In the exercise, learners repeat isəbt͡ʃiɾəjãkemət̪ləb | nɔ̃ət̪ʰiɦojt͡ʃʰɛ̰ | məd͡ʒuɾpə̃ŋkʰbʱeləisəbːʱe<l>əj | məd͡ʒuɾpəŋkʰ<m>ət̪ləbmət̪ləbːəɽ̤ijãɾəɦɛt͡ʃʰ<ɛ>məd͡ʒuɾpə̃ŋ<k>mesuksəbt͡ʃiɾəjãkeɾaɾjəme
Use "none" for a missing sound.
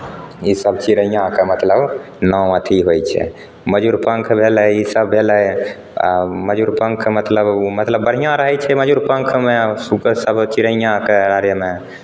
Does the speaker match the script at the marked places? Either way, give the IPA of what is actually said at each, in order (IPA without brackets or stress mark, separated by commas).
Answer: l, m, ɛ, kʰ